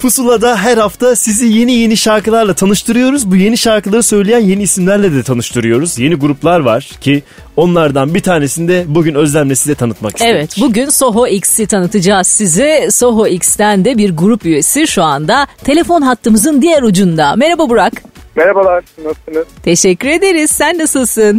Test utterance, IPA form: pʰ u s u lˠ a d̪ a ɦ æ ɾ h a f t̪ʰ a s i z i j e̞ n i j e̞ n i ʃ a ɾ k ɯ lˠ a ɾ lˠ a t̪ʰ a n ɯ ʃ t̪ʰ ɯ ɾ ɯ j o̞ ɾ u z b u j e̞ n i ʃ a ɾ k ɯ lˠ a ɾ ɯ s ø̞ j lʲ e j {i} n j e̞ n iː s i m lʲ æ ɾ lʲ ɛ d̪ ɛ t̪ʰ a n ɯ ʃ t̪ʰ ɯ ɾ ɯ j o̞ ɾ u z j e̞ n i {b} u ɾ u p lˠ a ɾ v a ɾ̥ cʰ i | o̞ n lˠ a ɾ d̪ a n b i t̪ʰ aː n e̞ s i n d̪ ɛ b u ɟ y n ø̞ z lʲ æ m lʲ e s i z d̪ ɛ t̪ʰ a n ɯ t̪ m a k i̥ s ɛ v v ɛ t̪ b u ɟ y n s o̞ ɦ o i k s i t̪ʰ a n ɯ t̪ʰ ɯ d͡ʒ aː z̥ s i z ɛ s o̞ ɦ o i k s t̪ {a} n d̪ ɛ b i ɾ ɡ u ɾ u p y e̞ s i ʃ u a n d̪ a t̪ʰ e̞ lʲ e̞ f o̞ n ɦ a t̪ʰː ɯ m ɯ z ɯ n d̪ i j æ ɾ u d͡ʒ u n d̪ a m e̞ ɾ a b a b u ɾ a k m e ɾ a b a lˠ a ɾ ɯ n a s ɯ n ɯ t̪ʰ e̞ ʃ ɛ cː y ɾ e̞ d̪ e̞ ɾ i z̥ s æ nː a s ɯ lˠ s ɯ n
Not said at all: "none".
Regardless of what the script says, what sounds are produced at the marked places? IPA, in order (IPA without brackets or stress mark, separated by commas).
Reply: æ, ɡ, æ